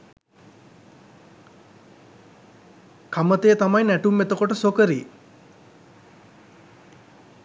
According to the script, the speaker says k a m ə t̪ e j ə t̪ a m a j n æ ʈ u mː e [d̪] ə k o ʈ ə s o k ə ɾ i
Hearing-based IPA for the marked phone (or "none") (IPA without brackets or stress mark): t̪